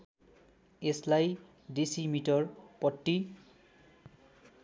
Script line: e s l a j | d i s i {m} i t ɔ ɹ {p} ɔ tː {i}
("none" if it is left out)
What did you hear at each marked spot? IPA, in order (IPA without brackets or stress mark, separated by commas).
m, p, i